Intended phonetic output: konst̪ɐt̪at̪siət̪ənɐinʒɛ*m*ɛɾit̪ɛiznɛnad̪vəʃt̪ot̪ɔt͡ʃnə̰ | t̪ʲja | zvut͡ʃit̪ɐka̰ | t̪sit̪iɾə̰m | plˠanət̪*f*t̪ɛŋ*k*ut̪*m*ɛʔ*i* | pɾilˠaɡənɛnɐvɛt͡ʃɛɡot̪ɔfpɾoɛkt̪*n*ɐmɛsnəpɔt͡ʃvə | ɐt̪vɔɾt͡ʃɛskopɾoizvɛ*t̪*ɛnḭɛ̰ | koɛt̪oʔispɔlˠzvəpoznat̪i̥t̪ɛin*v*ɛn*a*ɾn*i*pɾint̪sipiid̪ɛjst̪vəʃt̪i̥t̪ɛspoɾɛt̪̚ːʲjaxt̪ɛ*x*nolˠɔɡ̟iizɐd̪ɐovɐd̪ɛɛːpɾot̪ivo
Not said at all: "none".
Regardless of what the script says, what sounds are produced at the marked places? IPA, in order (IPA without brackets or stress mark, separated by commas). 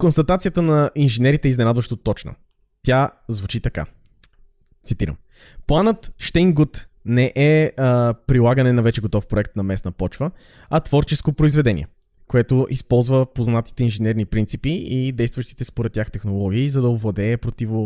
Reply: n, ʃ, ɡ, n, ɛ, n, d̪, ʒ, ɛ, i, x